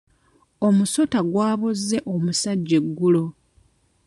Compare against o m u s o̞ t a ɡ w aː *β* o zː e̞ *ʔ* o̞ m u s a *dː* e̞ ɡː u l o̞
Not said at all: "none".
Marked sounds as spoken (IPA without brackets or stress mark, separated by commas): β, ʔ, ɟː